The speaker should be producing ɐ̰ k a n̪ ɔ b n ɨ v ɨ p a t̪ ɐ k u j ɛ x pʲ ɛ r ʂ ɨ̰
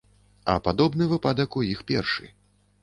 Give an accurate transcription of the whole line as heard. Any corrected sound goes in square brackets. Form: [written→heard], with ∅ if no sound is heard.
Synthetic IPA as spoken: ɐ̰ [k→p] a [n̪→d̪] ɔ b n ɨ v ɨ p a [t̪→d̪] ɐ k u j [ɛ→i] x pʲ ɛ r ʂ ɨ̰